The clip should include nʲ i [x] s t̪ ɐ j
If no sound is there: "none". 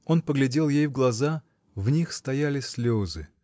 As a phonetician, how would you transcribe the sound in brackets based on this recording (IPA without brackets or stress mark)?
x